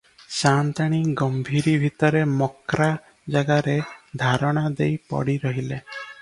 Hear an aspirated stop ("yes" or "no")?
no